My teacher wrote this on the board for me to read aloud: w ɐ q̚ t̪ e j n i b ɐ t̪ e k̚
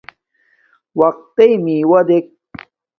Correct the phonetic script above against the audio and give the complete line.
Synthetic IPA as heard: w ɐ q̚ t̪ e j m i w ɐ d̪ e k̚